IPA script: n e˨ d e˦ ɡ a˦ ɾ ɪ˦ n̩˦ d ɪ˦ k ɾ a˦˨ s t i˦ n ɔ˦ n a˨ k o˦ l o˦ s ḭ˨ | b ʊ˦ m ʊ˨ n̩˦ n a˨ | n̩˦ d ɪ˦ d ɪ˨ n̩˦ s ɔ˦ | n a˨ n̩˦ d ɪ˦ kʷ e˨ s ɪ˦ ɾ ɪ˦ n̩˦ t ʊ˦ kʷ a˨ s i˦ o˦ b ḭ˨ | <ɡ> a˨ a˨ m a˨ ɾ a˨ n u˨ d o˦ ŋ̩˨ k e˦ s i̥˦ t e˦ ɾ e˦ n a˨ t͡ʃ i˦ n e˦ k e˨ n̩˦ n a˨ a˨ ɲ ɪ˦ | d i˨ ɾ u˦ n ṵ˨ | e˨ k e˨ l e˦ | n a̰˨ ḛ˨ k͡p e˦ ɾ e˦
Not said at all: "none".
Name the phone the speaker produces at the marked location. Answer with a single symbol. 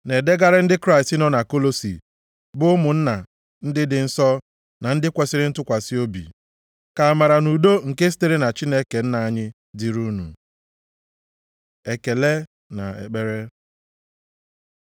k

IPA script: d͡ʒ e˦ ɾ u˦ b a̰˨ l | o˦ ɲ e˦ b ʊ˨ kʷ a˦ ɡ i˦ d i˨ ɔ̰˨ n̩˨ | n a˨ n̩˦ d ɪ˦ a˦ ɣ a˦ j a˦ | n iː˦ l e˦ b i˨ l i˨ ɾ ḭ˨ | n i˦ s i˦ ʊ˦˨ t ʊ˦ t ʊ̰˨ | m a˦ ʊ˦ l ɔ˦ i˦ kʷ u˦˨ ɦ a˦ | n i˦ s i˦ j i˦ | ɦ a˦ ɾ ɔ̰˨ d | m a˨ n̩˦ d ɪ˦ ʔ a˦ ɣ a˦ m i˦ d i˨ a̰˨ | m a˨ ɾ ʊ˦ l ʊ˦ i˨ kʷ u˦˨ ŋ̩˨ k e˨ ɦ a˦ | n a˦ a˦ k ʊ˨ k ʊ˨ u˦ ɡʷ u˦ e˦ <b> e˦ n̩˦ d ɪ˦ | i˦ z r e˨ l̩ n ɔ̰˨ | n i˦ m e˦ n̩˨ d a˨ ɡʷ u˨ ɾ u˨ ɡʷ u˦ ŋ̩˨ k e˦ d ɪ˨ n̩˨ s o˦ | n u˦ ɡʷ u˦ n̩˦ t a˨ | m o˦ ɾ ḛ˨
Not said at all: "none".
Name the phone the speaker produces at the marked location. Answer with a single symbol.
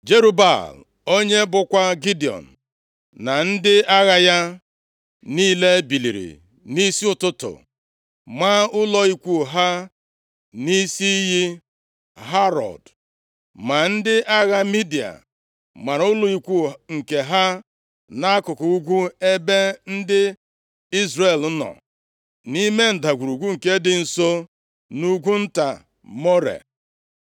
b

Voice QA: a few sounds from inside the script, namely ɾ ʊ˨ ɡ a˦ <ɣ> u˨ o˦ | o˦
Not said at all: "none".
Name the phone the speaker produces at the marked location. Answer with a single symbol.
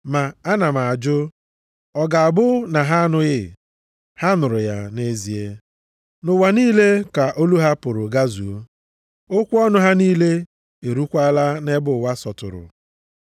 z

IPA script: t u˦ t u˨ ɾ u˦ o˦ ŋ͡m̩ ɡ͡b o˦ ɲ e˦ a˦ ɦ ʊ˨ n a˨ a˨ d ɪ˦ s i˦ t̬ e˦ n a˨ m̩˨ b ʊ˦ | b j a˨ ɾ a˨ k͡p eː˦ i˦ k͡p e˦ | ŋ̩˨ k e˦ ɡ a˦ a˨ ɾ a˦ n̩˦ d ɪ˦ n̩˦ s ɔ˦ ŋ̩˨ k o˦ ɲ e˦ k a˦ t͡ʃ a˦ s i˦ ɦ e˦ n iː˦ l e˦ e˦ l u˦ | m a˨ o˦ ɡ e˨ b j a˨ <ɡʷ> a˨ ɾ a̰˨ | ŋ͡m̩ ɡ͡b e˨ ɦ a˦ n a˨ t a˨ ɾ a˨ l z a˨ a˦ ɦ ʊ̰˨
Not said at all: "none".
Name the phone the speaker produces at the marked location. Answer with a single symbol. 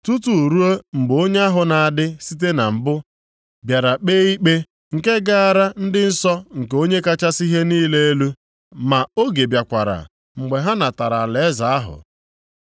kʷ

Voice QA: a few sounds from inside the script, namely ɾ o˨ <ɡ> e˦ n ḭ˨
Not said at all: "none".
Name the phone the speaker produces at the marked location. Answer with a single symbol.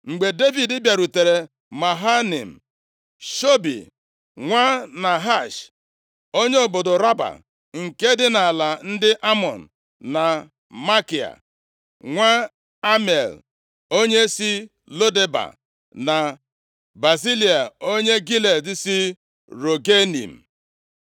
ɡ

